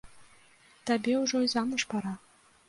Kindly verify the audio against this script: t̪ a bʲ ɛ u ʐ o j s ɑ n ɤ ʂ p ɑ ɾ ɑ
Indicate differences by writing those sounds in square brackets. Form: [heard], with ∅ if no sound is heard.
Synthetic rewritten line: t̪ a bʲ [e] u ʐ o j [z] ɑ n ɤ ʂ p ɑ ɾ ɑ